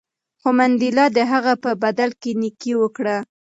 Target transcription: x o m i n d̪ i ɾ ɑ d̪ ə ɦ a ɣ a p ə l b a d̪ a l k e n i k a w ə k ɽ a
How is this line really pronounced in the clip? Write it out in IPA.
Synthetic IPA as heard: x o m a n d̪ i l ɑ d̪ ə ɦ a ɣ a p ə b a d̪ a l k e n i k i w ə k ɽ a